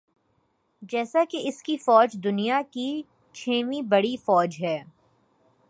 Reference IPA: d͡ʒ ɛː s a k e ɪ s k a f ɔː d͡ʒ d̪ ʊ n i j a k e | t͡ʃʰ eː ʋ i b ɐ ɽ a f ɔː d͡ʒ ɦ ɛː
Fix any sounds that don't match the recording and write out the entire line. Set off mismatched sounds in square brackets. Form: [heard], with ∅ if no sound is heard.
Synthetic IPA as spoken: d͡ʒ ɛː s a k e ɪ s k [i] f ɔː d͡ʒ d̪ ʊ n i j a k [i] | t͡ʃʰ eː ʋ i b ɐ ɽ [i] f ɔː d͡ʒ ɦ ɛː